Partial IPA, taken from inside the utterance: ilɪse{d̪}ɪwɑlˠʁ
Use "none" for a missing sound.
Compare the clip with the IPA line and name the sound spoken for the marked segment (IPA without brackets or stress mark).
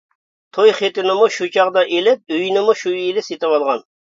t̪